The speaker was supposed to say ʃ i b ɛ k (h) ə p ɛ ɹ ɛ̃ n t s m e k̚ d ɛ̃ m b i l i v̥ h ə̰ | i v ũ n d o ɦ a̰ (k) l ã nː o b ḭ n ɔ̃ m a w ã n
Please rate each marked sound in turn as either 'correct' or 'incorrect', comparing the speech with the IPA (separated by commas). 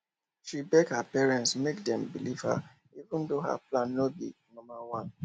correct, incorrect